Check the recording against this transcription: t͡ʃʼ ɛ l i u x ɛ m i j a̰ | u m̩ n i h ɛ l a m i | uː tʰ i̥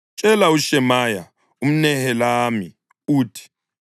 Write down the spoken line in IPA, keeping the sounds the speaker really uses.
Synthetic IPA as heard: t͡ʃʼ ɛ l a u ʃ ɛ m a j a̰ | u m̩ n ɛ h ɛ l a m i | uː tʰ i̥